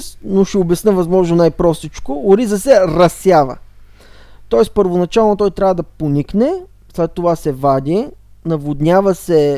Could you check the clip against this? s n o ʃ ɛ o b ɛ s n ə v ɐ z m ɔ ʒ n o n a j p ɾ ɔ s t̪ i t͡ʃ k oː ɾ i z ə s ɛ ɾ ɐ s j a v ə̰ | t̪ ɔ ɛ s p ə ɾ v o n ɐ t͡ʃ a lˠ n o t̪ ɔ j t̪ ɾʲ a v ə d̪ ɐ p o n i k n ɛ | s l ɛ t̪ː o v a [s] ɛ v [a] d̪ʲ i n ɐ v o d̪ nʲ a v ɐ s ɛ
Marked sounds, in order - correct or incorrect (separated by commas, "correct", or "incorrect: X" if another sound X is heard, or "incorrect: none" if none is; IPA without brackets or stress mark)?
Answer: correct, correct